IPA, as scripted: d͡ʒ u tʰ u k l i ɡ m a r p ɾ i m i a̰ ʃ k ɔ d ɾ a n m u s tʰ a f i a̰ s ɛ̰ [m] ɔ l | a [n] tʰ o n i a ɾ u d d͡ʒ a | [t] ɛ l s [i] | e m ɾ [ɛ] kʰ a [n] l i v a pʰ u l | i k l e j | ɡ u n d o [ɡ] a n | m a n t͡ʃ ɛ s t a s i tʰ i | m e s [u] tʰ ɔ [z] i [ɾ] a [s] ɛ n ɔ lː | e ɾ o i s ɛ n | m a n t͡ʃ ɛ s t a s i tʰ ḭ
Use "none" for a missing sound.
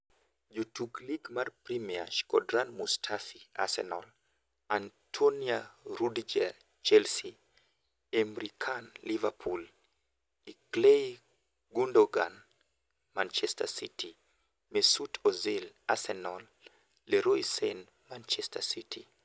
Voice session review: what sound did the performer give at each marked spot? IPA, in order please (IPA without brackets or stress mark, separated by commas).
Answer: n, n, t͡ʃ, i, i, n, ɡ, u, z, l, s